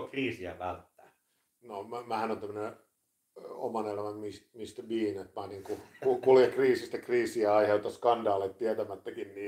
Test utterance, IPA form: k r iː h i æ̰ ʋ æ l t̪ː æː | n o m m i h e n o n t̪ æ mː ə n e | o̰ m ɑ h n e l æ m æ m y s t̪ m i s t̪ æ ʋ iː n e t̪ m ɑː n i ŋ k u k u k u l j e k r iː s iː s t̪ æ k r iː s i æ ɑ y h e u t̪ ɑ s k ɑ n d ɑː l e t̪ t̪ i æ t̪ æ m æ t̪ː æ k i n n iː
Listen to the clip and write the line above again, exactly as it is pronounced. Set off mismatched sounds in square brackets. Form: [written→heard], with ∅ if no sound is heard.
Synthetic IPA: k r iː [h→s] i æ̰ ʋ æ l t̪ː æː | n o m m [i→æ] h [e→æ] n o n t̪ æ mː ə n e | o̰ m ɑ [h→∅] n e l æ m æ m [y→i] s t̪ m i s t̪ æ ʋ iː n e t̪ m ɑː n i ŋ k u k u k u l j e k r iː s [iː→i] s t̪ æ k r iː s i æ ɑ [y→i] h e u t̪ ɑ s k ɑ n d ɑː l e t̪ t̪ i æ t̪ æ m æ t̪ː æ k i n n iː